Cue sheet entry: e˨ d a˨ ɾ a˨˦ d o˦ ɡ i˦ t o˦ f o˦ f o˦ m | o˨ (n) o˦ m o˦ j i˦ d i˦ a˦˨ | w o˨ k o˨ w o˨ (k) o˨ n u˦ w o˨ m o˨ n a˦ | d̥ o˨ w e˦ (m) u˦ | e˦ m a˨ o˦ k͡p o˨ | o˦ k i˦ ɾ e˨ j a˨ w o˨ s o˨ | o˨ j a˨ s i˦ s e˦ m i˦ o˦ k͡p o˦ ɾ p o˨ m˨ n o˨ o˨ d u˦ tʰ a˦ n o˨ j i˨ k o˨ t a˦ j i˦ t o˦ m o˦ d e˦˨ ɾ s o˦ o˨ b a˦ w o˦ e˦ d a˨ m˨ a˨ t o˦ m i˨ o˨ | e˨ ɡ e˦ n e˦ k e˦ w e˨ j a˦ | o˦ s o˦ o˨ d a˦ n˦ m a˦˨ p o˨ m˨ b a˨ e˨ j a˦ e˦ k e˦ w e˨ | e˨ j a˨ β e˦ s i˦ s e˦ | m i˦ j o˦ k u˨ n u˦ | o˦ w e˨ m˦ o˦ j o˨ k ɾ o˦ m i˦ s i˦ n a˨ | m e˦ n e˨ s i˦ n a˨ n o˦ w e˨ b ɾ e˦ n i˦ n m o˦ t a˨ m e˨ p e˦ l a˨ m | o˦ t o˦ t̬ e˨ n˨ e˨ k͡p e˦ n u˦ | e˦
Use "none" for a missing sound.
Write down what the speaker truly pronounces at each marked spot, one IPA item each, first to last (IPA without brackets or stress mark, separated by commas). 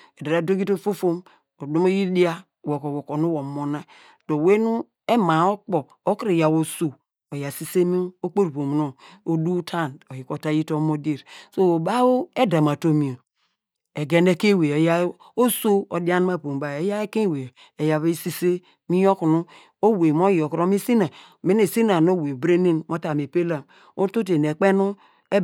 d, k, n